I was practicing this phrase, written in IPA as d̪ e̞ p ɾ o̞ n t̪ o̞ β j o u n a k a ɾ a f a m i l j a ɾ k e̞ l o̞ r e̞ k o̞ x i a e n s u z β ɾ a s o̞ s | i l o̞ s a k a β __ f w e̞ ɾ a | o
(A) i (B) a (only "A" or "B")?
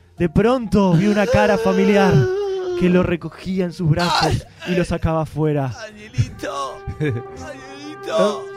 B